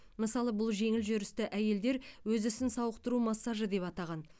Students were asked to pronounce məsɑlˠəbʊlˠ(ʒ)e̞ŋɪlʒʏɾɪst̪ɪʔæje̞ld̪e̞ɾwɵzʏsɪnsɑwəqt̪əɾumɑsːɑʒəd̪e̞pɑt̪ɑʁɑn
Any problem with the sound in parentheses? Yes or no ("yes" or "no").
no